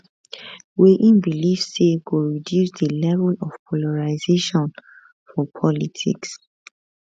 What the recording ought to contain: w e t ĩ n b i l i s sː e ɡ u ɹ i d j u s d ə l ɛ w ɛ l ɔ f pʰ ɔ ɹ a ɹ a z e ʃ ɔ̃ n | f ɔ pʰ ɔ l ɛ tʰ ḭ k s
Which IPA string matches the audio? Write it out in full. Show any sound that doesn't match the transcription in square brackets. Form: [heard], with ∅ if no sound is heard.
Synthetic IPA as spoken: w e [ʔ] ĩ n b i l i [f] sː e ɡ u ɹ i d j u s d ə l ɛ [v] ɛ l ɔ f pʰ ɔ [l] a ɹ a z e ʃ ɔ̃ n | f ɔ pʰ ɔ l [i] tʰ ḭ k s

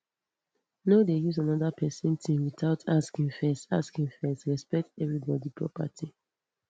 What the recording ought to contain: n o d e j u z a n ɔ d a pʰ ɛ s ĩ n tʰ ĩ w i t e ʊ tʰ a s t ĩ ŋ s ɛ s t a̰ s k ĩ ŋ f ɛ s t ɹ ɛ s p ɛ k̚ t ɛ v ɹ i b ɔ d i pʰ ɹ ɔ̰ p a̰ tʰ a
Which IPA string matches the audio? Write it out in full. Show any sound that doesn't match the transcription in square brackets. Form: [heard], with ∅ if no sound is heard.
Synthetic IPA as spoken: n o d e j u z a n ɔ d a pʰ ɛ s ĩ n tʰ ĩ w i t [a] ʊ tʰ a s [k] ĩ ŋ [f] ɛ s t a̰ s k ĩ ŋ f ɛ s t ɹ ɛ s p ɛ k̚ t ɛ v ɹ i b ɔ d i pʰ ɹ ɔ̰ p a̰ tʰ [i]

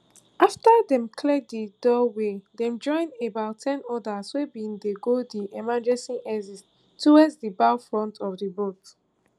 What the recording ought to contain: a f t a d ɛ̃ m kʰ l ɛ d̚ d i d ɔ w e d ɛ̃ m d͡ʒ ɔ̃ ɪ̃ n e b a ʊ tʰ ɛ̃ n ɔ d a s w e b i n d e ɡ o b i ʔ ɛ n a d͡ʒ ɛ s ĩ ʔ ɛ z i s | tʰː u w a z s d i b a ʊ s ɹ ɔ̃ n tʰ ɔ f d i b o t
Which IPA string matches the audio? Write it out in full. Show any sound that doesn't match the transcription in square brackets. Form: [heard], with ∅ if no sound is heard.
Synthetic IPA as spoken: a f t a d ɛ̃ m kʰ l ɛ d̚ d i d ɔ w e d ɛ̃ m d͡ʒ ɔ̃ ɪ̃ n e b a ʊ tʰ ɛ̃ n ɔ d a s w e b i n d e ɡ o [d] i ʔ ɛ [m] a d͡ʒ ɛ s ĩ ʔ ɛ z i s | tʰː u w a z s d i b a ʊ [f] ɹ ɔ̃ n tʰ ɔ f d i b o t

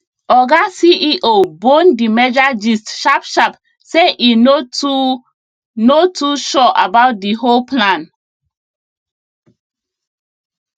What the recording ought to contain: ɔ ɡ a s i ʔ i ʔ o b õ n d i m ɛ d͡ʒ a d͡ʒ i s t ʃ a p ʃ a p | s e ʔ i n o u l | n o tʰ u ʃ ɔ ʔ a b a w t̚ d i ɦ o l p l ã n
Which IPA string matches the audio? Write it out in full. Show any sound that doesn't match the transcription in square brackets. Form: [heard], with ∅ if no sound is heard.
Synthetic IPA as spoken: ɔ ɡ a s i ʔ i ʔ o b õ n d i m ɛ d͡ʒ a d͡ʒ i s t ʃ a p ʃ a p | s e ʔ i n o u [∅] | n o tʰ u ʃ ɔ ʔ a b a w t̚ d i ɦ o l p l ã n

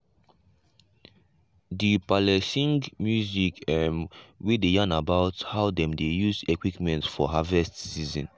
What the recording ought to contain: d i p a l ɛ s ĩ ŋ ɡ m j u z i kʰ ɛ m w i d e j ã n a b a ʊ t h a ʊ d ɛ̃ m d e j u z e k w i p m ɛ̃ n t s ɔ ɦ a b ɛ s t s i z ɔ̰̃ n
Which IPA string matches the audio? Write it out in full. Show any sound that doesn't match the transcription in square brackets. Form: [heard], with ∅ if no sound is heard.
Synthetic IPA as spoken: d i p a l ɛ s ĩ ŋ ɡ m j u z i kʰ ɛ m w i d e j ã n a b a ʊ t h a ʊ d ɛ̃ m d e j u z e k w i p m ɛ̃ n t [f] ɔ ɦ a [v] ɛ s t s i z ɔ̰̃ n

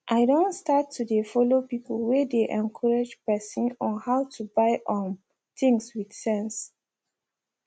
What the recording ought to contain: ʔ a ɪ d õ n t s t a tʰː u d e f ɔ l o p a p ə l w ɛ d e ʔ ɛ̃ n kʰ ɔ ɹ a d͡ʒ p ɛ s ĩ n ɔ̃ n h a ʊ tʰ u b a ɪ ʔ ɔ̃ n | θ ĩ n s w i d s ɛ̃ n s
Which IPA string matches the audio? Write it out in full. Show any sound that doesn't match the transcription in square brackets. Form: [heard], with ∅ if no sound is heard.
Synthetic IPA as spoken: ʔ a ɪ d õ n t s t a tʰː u d e f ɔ l o p [i] p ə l w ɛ d e ʔ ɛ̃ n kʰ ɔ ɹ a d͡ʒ p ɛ s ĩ n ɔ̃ n h a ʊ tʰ u b a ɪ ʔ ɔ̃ n | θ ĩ [ŋ] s w i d s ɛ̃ n s

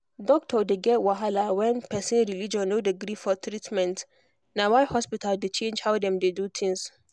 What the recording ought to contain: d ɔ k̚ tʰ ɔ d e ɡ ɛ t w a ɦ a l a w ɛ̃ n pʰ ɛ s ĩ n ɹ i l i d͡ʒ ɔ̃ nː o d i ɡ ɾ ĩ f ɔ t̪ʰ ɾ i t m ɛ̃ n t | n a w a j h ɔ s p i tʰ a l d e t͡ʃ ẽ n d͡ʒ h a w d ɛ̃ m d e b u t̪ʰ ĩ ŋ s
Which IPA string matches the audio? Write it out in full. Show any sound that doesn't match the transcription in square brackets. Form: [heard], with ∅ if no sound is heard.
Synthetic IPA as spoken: d ɔ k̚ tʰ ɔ d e ɡ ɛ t w a ɦ a l a w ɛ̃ n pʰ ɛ s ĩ n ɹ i l i d͡ʒ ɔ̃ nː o d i ɡ ɾ [i] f ɔ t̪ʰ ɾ i t m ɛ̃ n t | n a w a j h ɔ s p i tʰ a l d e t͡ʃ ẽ n d͡ʒ h a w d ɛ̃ m d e [d] u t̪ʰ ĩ ŋ s

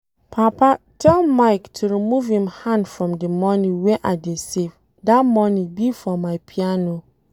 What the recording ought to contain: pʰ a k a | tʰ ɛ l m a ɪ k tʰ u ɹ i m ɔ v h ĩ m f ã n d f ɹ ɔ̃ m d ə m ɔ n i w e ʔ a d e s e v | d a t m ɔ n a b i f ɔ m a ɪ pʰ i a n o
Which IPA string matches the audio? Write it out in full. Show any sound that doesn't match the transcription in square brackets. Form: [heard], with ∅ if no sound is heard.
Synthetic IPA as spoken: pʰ a [p] a | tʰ ɛ l m a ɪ k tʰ u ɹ i m [u] v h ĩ m [h] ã n d f ɹ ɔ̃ m d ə m ɔ n i w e ʔ a d e s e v | d a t m ɔ n [i] b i f ɔ m a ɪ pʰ i a n o

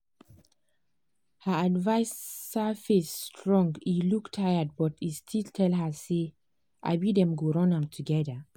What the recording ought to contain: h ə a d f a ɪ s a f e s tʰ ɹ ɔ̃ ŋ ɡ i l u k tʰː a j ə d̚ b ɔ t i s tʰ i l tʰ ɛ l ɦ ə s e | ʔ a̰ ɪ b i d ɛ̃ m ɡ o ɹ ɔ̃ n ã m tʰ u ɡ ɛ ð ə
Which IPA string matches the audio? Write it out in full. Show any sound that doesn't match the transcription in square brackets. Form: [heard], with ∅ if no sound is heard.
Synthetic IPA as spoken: h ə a d [v] a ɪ s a f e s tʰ ɹ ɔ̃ ŋ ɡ i l u k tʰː a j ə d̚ b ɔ t i s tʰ i l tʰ ɛ l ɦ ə s e | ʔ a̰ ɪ b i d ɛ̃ m ɡ o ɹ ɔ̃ n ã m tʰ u ɡ ɛ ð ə

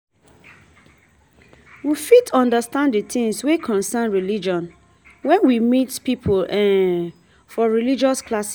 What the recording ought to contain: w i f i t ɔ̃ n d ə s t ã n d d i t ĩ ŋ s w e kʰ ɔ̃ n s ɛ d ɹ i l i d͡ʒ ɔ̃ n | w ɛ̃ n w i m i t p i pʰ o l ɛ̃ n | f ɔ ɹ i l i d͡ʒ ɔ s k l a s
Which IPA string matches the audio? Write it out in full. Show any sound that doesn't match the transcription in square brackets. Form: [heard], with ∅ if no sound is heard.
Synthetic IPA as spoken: w i f i t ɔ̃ n d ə s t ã n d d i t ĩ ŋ s w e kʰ ɔ̃ n s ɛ [n] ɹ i l i d͡ʒ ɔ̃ n | w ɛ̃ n w i m i t p i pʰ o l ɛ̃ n | f ɔ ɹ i l i d͡ʒ ɔ s k l a s

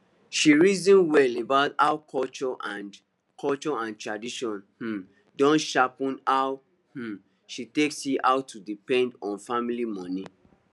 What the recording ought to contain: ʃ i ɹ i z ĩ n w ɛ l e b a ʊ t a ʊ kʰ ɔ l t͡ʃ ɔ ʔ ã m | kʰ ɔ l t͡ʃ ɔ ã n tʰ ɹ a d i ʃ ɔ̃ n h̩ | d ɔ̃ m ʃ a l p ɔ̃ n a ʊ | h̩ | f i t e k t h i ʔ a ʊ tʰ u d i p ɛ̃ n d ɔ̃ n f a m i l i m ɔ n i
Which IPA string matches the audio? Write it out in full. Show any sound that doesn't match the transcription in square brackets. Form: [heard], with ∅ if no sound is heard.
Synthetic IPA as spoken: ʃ i ɹ i z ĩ n w ɛ l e b a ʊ t a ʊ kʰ ɔ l t͡ʃ ɔ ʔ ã [n] | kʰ ɔ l t͡ʃ ɔ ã n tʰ ɹ a d i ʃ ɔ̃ n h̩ | d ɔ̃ [n] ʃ a [∅] p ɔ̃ n a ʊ | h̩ | [ʃ] i t e k [s] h i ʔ a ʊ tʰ u d i p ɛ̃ n d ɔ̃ n f a m i l i m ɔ n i

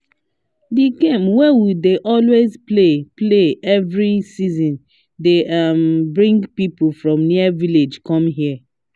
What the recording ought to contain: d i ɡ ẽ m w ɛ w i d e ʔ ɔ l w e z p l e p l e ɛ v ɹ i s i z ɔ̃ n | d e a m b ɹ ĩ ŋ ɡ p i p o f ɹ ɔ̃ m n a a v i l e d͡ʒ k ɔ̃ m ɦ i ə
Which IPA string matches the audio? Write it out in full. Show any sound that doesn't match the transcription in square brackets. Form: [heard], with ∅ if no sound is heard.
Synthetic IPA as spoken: d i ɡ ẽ m w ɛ w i d e ʔ ɔ l w e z p l e p l e ɛ v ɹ i s i z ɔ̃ n | d e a m b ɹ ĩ ŋ ɡ p i p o f ɹ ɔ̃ m n [i] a v i l e d͡ʒ k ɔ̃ m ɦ i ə

